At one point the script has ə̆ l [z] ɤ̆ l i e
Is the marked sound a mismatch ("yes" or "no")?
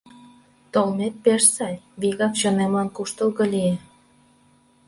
yes